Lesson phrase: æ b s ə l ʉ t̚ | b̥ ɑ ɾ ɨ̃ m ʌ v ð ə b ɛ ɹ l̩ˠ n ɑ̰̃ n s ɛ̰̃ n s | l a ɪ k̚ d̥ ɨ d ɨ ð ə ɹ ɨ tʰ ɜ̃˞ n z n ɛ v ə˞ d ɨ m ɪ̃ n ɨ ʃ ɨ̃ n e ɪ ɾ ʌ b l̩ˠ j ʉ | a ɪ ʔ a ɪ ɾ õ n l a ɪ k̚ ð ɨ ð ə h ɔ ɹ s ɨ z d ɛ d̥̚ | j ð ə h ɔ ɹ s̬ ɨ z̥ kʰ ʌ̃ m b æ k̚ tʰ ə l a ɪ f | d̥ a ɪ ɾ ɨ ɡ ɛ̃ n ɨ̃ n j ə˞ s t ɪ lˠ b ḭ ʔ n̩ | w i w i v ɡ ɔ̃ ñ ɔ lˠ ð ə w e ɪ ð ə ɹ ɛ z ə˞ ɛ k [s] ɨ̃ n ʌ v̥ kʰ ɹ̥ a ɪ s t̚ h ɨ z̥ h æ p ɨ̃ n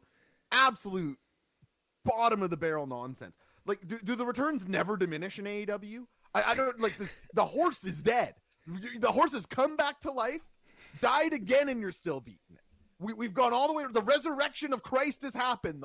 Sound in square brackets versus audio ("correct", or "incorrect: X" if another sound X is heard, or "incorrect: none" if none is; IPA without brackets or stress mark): incorrect: ʃ